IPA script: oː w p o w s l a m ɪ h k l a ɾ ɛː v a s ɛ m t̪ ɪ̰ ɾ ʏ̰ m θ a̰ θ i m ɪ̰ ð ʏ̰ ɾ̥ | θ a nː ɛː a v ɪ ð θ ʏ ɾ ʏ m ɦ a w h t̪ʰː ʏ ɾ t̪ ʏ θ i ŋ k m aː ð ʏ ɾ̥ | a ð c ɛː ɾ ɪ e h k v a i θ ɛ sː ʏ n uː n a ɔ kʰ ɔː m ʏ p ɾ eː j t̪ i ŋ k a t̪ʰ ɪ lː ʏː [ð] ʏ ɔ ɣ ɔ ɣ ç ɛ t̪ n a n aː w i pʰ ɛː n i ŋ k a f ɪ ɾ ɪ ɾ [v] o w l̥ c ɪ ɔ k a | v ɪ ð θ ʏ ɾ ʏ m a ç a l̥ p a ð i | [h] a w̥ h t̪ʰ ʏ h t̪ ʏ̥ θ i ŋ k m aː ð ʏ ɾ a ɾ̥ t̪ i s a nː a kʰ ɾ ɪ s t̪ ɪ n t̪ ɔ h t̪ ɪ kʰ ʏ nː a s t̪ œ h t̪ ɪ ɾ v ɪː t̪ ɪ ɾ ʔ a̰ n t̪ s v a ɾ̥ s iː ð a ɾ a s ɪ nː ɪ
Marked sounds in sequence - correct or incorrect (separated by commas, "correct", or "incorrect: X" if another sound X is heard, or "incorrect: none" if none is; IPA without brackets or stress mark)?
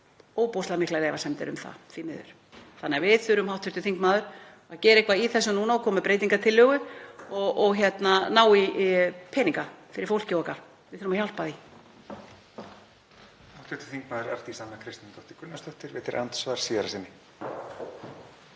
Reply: incorrect: ɣ, incorrect: f, correct